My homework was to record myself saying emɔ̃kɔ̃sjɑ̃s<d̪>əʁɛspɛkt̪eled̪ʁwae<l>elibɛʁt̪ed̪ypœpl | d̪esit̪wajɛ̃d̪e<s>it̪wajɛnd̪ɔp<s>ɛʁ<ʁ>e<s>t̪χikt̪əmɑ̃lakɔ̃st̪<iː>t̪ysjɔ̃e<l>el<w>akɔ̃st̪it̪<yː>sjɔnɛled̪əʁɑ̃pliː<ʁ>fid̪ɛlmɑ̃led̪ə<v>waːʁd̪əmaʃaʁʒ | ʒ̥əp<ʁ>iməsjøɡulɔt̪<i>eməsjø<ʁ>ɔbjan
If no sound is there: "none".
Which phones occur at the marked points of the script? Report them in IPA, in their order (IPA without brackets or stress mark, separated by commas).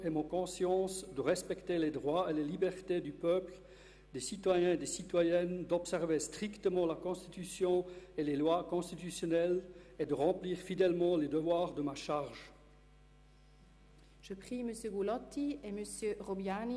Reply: d̪, l, s, s, v, s, i, l, w, y, ʁ, v, χ, i, ʁ